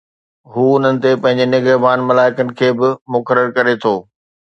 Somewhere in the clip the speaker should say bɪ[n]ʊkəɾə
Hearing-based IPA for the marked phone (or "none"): m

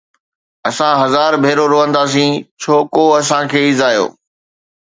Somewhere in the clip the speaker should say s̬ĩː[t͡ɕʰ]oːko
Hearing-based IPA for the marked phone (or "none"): t͡ɕʰ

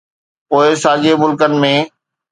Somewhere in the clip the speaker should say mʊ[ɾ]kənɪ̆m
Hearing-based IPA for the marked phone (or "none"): l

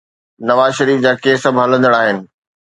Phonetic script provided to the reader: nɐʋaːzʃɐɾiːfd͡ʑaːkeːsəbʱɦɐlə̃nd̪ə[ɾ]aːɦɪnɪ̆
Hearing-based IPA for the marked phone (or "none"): ɽ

